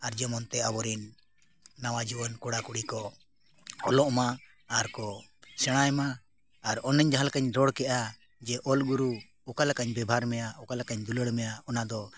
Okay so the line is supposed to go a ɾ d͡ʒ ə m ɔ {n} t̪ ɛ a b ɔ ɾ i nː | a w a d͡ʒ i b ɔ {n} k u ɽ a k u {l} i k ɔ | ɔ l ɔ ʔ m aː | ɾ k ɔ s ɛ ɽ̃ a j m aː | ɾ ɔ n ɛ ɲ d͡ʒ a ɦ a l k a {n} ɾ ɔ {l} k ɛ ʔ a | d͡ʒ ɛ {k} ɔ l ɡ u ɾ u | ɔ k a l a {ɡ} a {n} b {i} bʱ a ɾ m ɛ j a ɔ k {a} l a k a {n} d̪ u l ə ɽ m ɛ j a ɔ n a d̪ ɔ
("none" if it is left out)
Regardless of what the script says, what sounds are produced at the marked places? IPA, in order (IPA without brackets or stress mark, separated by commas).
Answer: n, n, ɽ, ɲ, ɽ, ʔ, k, ɲ, ɛ, a, ɲ